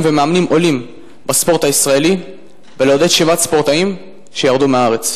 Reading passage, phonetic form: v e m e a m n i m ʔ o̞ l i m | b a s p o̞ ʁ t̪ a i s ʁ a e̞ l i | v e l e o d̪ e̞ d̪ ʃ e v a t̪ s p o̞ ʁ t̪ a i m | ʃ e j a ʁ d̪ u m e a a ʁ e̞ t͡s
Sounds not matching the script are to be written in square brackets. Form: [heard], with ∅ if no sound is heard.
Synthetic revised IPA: v e m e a m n i m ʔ o̞ l i m | b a s p o̞ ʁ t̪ a i s ʁ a e̞ l i | v e l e o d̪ e̞ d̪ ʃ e v a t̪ s p o̞ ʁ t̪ a i m | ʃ e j a ʁ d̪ u m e a a ʁ e̞ t͡s